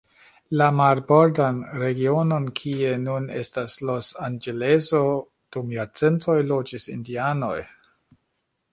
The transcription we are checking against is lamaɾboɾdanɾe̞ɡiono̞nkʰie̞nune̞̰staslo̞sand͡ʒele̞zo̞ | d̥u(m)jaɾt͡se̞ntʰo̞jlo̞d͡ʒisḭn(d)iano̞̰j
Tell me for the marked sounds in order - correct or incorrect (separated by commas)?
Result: correct, correct